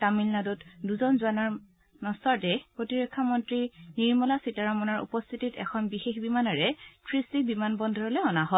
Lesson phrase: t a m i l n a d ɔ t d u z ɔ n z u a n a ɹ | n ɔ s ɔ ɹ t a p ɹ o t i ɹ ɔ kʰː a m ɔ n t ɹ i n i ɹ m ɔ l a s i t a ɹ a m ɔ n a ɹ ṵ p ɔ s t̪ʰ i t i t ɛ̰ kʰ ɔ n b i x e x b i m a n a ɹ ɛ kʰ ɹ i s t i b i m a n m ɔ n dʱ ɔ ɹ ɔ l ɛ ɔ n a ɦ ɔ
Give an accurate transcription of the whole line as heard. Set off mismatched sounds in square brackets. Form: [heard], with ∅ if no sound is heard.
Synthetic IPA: t a m i l n a d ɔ t d u z ɔ n z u a n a ɹ | n ɔ s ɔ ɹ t [ɛ] p ɹ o t i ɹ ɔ kʰː a m ɔ n t ɹ i n i ɹ m ɔ l a s i t a ɹ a m ɔ n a ɹ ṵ p ɔ s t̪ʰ i t i t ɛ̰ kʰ ɔ n b i x e x b i m a n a ɹ ɛ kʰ ɹ i s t i b i m a n [b] ɔ n dʱ ɔ ɹ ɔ l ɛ ɔ n a ɦ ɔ

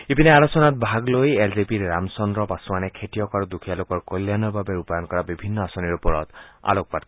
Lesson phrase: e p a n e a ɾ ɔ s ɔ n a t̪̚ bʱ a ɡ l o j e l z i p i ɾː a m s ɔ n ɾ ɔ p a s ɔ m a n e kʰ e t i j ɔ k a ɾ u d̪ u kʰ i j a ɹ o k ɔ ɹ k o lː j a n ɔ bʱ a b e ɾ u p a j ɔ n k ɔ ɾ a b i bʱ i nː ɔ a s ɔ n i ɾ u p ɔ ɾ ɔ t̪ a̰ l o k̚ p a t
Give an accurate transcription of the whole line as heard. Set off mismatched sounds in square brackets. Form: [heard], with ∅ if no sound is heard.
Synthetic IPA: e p [i] n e a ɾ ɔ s ɔ n a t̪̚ bʱ a ɡ l o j e l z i p i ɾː a m s ɔ n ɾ ɔ p a s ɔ m a n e kʰ e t i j ɔ k a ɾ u d̪ u kʰ i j a [l] o k ɔ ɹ k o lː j a n ɔ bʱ a b e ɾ u p a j ɔ n k ɔ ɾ a b i bʱ i nː ɔ a s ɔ n i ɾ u p ɔ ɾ ɔ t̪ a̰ l o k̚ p a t

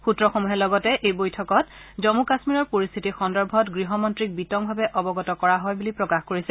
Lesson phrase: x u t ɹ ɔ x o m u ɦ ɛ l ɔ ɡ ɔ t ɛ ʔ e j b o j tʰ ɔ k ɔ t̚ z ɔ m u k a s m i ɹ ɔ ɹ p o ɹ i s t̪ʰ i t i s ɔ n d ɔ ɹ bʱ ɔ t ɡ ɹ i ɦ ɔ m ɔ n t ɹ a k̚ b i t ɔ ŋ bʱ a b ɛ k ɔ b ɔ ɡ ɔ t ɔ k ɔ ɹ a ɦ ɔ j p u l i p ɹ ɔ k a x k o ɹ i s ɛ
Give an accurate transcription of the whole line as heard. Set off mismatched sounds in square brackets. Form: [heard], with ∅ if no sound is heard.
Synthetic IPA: x u t ɹ ɔ x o m u ɦ ɛ l ɔ ɡ ɔ t ɛ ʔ e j b o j tʰ ɔ k ɔ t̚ z ɔ m u k a s m i ɹ ɔ ɹ p o ɹ i s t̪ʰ i t i [x] ɔ n d ɔ ɹ bʱ ɔ t ɡ ɹ i ɦ ɔ m ɔ n t ɹ [i] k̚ b i t ɔ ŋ bʱ a b ɛ [ʔ] ɔ b ɔ ɡ ɔ t ɔ k ɔ ɹ a ɦ ɔ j [b] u l i p ɹ ɔ k a x k o ɹ i s ɛ

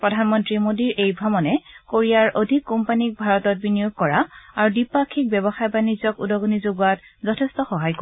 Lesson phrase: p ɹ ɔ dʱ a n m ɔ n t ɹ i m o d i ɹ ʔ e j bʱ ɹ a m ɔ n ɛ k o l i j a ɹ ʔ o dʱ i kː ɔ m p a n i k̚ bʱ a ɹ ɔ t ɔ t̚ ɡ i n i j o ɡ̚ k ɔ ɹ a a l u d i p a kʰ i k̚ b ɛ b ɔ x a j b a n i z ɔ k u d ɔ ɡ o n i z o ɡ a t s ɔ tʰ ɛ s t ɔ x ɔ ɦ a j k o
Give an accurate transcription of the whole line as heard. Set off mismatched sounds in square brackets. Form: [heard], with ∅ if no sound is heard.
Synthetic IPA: p ɹ ɔ dʱ a n m ɔ n t ɹ i m o d i ɹ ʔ e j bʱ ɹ a m ɔ n ɛ k o [ɹ] i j a ɹ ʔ o dʱ i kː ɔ m p a n i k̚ bʱ a ɹ ɔ t ɔ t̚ [b] i n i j o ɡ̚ k ɔ ɹ a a [ɹ] u d i p a kʰ i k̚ b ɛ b ɔ x a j b a n i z ɔ k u d ɔ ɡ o n i z o ɡ a t [z] ɔ tʰ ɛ s t ɔ x ɔ ɦ a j k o

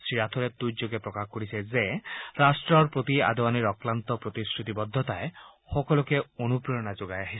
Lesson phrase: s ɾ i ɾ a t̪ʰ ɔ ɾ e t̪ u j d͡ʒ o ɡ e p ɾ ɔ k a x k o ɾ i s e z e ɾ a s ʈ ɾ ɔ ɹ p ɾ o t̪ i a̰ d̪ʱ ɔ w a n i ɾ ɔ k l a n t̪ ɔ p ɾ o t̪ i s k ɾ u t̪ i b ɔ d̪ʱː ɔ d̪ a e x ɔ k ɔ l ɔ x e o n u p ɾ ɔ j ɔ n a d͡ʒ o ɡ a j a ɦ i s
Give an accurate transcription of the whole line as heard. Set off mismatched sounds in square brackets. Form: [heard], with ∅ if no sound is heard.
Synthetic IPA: s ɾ i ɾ a t̪ʰ ɔ ɾ e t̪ u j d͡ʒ o ɡ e p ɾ ɔ k a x k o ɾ i s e z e ɾ a s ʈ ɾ ɔ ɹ p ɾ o t̪ i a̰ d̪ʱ ɔ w a n i ɾ ɔ k l a n t̪ ɔ p ɾ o t̪ i s k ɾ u t̪ i b ɔ d̪ʱː ɔ [t̪] a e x ɔ k ɔ l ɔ [k] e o n u p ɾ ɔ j ɔ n a d͡ʒ o ɡ a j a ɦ i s

